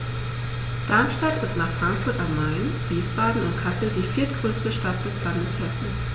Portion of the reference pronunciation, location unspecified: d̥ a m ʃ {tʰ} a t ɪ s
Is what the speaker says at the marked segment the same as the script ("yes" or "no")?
no